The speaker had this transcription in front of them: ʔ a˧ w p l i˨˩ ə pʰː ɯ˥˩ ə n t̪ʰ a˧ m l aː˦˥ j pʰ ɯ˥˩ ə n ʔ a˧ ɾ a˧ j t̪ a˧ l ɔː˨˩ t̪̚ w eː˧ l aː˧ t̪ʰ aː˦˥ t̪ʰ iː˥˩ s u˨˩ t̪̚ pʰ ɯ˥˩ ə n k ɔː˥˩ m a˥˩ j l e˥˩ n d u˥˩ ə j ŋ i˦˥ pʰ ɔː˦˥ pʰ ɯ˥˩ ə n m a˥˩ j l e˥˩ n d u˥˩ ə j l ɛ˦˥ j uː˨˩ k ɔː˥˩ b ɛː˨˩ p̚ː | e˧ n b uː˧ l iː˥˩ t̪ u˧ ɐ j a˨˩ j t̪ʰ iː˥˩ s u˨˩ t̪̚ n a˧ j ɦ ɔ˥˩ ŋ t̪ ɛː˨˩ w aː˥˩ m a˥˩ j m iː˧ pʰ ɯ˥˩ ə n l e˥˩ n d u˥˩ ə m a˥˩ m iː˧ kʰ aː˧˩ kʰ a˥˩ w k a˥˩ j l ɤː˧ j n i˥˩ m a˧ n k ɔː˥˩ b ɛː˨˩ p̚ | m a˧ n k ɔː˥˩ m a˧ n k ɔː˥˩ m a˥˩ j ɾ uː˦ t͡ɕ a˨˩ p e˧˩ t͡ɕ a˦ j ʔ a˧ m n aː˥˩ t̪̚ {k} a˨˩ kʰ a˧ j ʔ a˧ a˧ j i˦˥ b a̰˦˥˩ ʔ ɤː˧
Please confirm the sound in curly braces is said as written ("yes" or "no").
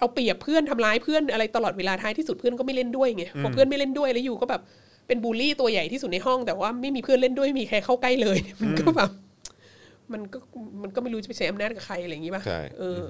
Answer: yes